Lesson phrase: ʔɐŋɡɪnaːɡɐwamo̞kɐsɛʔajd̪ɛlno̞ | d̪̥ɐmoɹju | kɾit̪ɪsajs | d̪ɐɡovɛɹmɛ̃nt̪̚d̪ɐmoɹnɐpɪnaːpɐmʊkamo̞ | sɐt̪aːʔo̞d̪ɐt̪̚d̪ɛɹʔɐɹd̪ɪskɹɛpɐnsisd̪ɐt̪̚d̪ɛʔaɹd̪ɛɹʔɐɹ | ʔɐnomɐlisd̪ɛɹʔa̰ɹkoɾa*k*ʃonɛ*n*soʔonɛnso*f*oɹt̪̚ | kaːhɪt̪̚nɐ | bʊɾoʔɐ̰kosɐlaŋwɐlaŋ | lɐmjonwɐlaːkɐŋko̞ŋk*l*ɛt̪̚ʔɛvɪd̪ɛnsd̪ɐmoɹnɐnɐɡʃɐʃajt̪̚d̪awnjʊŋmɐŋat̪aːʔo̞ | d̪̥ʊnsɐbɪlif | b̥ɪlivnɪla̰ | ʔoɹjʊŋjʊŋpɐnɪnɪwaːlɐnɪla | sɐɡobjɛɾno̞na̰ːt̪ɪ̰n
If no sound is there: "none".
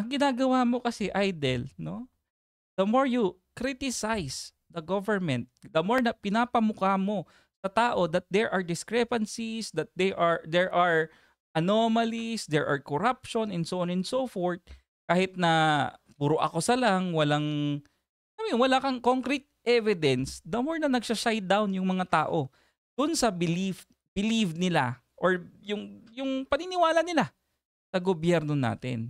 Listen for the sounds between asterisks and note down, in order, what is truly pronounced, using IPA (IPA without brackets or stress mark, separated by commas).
p, n, f, ɾ